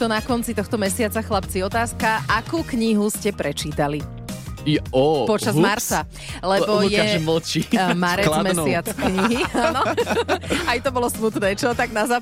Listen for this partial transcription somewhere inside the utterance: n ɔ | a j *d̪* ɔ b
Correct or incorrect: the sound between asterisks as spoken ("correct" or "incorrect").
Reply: incorrect